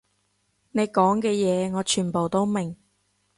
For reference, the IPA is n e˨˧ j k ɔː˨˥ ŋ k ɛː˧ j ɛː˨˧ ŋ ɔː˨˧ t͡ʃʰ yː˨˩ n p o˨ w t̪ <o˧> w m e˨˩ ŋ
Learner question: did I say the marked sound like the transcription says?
no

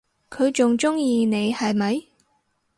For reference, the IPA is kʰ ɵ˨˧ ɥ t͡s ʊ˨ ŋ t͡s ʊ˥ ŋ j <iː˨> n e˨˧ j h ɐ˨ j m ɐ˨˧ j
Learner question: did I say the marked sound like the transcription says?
yes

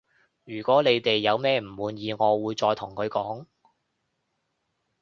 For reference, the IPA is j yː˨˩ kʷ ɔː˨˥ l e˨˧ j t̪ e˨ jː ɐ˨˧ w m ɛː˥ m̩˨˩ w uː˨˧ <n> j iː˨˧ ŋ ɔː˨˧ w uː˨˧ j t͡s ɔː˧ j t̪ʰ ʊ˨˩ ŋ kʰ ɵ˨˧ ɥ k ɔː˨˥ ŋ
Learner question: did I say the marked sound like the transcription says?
yes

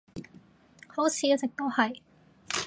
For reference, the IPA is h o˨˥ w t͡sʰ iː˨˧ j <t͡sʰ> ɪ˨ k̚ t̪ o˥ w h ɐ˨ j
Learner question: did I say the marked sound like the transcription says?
no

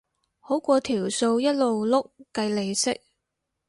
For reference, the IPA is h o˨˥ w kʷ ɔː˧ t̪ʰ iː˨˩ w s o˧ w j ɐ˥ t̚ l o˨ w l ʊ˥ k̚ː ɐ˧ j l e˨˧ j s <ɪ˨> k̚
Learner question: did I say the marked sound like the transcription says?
no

